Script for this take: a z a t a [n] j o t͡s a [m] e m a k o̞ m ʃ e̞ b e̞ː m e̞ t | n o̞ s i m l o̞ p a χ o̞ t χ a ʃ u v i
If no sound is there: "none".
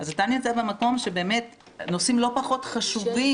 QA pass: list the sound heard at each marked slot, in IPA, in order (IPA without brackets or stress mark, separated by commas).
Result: n, b